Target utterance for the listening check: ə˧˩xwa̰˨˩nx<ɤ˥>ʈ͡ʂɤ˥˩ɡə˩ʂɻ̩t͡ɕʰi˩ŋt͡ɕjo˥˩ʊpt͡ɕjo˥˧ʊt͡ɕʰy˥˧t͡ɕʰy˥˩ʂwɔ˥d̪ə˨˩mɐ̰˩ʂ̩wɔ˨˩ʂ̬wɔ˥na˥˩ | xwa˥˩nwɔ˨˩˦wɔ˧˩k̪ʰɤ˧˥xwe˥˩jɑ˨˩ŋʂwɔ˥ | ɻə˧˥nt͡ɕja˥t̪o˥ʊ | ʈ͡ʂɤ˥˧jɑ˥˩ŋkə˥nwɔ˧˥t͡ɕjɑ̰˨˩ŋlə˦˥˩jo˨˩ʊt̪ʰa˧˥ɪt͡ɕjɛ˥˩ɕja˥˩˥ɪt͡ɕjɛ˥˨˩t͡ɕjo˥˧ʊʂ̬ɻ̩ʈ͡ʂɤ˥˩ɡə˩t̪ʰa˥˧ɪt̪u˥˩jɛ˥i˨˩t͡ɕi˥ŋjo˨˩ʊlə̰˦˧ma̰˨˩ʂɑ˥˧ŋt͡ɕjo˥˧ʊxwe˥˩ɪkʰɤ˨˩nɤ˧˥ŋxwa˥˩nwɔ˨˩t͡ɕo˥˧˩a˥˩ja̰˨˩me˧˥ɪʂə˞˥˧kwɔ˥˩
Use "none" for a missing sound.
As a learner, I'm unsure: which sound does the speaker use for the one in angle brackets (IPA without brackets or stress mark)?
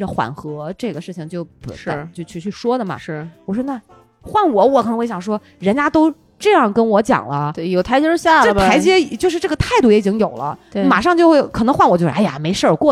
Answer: ɤ˧˥